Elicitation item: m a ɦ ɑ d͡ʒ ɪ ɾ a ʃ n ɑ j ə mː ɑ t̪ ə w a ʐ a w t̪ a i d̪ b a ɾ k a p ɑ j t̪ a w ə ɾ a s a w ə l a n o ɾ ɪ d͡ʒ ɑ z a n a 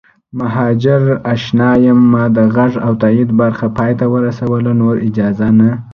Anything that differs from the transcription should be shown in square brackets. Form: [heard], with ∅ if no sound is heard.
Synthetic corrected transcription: m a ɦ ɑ d͡ʒ ɪ ɾ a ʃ n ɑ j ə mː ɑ [d̪] ə [ɣ] a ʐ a w t̪ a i d̪ b a ɾ [x] a p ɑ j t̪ a w ə ɾ a s a w ə l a n o ɾ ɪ d͡ʒ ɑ z a n a